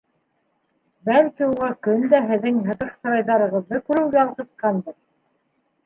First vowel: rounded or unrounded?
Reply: unrounded